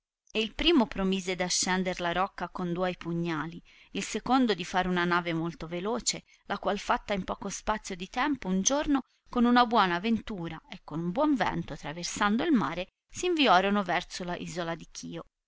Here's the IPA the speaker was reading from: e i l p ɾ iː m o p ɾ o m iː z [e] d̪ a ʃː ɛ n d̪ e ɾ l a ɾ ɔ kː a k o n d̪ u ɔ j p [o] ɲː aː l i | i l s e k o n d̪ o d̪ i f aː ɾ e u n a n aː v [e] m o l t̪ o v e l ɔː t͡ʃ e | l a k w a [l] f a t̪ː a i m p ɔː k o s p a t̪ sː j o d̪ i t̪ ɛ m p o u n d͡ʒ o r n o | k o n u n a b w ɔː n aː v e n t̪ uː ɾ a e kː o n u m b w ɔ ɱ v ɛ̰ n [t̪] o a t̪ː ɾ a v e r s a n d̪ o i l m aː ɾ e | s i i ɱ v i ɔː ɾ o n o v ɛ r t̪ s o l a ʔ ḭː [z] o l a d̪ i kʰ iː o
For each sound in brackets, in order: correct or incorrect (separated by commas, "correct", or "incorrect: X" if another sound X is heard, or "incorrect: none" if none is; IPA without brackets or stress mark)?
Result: correct, incorrect: u, correct, correct, correct, correct